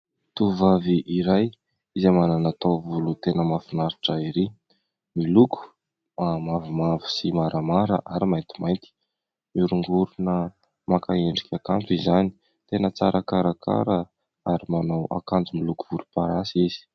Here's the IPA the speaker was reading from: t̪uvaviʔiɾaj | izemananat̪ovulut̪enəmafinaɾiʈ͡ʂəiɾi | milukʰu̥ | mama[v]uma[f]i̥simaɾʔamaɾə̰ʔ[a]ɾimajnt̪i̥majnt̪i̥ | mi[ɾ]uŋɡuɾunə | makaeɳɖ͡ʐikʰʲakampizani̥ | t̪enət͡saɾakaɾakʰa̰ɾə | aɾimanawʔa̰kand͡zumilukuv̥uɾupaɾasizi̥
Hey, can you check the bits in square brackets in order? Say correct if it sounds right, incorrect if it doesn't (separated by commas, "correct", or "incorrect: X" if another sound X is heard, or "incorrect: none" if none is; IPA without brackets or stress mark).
correct, incorrect: v, correct, correct